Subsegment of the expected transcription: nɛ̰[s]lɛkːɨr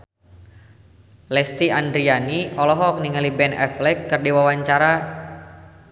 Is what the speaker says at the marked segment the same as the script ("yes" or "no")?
no